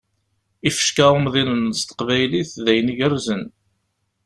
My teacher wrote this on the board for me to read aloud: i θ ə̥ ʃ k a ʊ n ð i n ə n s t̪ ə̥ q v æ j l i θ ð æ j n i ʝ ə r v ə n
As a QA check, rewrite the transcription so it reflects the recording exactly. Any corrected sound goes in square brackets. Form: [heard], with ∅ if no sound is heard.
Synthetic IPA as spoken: i [f] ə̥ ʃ k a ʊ [m] ð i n ə n s t̪ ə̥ q v æ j l i θ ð æ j n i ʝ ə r [z] ə n